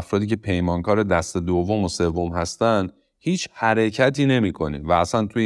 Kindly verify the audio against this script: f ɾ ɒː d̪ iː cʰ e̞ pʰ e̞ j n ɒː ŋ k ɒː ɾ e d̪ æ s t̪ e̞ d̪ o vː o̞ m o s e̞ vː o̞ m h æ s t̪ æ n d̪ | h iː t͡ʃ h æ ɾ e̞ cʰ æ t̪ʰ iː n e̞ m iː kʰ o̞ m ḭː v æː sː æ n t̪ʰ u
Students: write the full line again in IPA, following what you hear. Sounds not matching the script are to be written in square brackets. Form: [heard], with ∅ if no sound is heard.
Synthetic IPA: f ɾ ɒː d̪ iː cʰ e̞ pʰ e̞ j [m] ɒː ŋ k ɒː ɾ e d̪ æ s t̪ e̞ d̪ o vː o̞ m o s e̞ vː o̞ m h æ s t̪ æ n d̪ | h iː t͡ʃ h æ ɾ e̞ cʰ æ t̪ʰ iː n e̞ m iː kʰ o̞ [n] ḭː v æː [s] æ n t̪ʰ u